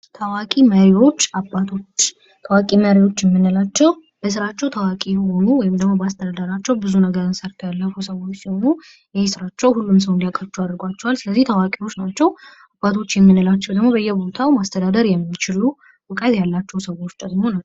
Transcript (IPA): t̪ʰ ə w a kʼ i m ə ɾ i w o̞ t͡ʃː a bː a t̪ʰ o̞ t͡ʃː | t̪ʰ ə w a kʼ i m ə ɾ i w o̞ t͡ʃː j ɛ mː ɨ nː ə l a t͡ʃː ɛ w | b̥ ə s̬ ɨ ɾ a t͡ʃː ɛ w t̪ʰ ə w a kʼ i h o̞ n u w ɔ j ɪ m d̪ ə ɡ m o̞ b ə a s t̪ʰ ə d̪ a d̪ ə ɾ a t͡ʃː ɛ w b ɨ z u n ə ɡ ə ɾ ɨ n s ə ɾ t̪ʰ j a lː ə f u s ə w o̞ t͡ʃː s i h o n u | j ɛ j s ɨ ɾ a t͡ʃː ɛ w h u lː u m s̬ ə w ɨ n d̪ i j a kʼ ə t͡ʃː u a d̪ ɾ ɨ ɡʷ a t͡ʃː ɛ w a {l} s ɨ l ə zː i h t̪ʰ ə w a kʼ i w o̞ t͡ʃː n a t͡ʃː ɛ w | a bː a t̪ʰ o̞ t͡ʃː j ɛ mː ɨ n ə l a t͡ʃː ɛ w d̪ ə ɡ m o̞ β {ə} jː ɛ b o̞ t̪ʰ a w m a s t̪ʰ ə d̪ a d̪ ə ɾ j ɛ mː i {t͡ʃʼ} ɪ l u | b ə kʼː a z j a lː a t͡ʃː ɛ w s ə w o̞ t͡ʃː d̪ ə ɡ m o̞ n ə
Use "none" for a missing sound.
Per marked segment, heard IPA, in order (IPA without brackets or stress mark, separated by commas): l, ə, t͡ʃ